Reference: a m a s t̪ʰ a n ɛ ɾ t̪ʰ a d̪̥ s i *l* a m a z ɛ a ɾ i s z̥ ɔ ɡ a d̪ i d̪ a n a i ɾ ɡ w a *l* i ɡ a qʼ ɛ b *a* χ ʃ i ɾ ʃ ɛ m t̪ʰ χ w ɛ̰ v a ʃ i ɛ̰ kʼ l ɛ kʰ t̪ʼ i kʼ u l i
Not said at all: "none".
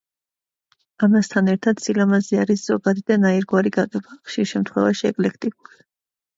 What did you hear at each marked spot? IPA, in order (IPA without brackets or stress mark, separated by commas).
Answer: l, ɾ, a